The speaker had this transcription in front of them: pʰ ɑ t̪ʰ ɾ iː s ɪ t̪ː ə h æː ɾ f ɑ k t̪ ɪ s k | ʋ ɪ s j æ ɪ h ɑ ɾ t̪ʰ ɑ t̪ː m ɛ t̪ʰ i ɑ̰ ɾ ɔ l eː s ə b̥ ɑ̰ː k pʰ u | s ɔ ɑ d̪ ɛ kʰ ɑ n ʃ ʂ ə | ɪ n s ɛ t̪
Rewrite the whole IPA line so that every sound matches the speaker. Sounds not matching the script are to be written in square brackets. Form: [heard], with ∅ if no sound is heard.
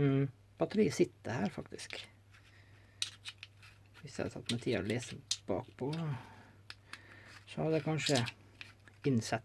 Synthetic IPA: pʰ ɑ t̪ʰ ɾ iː s ɪ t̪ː ə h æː ɾ f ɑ k t̪ ɪ s k | ʋ ɪ s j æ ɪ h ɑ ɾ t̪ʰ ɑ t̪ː m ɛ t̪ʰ [iː] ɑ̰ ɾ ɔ l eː s ə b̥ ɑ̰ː k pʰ [ɔ] | s ɔ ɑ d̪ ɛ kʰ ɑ n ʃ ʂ ə | ɪ n s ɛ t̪